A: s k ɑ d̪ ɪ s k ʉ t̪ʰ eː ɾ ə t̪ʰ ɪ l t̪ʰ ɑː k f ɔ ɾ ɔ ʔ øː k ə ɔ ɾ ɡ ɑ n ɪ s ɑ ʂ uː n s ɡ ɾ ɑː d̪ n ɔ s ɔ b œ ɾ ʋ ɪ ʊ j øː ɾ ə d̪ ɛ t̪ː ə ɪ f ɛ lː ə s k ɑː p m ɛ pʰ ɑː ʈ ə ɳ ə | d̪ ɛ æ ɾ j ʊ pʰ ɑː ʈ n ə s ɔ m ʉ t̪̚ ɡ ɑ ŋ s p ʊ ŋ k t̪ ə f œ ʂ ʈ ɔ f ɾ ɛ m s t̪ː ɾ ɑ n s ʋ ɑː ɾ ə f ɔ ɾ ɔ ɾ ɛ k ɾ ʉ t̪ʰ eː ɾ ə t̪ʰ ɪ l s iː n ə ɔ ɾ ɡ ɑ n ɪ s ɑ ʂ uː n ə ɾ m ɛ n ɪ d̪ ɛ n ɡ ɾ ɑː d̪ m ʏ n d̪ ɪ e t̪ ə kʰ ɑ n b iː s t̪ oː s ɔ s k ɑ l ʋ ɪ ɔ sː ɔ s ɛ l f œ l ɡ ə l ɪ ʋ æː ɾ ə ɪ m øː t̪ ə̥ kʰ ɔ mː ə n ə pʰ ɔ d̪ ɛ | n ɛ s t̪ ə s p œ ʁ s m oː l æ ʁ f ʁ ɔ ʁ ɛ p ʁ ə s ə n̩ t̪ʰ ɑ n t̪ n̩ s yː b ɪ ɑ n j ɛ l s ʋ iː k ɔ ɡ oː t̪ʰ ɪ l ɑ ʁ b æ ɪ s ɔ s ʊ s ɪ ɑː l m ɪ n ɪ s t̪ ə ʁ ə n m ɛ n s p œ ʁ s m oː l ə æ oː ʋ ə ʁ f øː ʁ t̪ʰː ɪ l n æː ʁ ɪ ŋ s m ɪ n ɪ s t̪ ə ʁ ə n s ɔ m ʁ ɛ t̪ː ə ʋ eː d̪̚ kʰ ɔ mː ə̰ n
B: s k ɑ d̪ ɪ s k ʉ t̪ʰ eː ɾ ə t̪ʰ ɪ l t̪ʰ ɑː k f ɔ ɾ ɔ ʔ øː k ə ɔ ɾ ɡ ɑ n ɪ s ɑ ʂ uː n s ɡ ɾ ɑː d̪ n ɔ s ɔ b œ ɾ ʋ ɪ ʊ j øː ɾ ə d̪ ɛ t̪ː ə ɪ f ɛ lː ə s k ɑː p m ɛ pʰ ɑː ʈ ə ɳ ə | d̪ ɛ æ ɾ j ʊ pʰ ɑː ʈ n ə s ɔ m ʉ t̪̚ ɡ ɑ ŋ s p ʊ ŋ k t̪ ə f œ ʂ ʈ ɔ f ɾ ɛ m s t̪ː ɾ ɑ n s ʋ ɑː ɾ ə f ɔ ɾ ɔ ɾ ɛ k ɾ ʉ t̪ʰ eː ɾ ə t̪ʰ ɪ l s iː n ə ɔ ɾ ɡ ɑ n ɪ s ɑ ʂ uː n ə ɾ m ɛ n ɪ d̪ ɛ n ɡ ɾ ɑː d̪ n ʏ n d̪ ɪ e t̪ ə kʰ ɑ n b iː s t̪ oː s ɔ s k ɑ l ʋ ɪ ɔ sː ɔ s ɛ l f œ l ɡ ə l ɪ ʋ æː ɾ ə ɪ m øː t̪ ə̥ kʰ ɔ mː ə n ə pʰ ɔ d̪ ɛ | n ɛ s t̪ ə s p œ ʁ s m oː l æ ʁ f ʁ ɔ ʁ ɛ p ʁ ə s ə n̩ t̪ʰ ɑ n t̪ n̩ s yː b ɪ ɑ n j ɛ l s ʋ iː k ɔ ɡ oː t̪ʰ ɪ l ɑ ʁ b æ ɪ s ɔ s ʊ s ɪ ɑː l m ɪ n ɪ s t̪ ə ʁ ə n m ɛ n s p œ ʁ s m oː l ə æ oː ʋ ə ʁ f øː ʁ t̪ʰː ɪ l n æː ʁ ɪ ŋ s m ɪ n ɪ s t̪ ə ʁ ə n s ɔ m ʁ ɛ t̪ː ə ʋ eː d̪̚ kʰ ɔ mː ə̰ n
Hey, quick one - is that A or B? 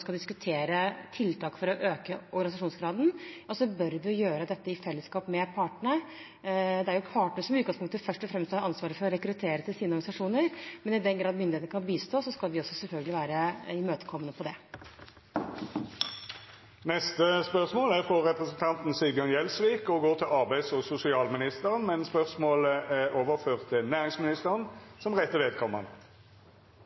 A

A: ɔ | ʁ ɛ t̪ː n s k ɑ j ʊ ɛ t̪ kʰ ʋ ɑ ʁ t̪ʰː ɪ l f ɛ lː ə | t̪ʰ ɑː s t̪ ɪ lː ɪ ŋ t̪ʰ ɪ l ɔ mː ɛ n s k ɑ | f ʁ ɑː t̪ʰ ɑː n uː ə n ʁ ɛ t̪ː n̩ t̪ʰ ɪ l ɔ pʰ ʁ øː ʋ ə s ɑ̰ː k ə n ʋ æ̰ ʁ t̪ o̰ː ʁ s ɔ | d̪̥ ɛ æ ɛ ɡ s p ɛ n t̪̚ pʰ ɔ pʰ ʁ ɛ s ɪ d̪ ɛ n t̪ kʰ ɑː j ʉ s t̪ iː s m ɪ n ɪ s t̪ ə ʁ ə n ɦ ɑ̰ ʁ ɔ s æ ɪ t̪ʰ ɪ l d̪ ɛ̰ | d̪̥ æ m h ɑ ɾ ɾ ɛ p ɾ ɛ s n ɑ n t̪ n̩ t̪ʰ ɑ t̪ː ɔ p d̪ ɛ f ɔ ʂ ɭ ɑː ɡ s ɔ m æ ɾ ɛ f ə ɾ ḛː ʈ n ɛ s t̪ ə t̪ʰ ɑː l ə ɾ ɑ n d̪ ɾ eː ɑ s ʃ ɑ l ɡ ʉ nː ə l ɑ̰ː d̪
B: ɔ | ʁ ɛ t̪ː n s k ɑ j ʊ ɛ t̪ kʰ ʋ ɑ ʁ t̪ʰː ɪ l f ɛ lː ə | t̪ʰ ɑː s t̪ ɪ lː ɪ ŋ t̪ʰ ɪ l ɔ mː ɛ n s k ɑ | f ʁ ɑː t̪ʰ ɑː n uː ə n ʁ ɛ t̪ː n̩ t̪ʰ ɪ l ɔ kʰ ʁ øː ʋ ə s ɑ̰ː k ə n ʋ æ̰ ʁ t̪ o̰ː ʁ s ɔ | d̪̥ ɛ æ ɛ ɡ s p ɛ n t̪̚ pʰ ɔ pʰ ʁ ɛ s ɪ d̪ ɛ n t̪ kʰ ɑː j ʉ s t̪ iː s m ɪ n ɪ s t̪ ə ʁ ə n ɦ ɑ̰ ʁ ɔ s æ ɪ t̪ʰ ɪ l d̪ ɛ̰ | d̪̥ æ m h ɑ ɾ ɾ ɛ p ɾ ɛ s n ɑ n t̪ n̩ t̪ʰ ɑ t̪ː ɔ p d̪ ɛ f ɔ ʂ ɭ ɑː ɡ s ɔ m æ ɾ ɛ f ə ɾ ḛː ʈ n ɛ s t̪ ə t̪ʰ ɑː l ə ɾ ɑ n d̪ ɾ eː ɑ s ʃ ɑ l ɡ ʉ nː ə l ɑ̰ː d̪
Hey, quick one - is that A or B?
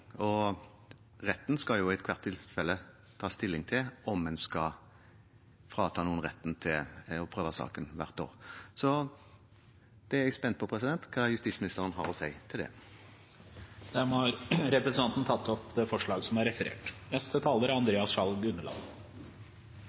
A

